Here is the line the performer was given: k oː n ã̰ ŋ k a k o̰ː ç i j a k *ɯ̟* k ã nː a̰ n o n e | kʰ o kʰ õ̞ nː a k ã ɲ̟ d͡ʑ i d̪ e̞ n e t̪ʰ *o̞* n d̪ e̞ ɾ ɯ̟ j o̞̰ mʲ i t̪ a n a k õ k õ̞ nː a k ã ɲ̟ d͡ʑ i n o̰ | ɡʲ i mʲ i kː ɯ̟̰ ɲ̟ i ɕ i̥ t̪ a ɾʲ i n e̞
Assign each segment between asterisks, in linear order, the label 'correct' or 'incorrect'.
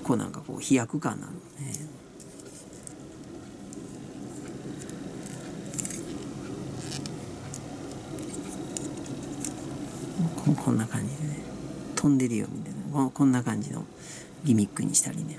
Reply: correct, incorrect

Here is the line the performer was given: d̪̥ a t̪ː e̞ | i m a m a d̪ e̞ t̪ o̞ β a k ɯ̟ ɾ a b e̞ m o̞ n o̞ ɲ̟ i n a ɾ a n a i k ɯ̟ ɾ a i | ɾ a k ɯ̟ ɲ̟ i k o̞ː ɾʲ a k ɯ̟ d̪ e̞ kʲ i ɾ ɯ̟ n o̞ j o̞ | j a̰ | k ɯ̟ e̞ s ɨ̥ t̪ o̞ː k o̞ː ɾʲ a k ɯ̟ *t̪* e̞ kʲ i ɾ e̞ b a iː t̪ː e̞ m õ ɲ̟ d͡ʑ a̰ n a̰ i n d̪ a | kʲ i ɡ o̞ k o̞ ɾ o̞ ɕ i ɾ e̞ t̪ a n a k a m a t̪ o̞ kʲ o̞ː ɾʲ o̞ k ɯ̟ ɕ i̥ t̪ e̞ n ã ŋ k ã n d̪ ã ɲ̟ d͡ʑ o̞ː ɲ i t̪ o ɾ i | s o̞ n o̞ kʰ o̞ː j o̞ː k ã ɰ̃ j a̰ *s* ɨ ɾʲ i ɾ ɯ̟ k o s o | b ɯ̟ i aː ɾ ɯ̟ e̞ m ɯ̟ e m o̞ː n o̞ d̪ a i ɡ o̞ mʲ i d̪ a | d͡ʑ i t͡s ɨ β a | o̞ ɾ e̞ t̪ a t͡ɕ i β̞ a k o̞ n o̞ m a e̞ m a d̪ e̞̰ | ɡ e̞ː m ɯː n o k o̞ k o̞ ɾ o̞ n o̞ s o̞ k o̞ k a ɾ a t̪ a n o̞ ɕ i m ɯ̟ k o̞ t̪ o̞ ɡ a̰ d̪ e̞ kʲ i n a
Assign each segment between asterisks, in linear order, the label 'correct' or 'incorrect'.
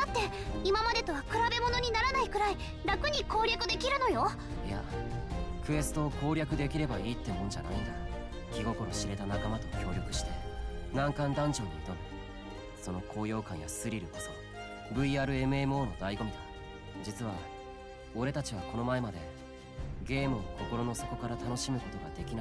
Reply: incorrect, correct

